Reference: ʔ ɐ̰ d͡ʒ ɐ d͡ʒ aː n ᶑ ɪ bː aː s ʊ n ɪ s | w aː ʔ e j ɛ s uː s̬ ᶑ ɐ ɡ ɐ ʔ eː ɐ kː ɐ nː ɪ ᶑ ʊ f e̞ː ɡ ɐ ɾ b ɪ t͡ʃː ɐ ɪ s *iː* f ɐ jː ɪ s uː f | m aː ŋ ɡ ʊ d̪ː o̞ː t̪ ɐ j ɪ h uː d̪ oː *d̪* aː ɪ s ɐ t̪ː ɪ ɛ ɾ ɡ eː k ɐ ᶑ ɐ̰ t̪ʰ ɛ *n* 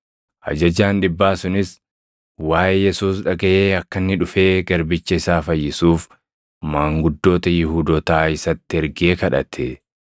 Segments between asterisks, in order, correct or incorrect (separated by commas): incorrect, incorrect, incorrect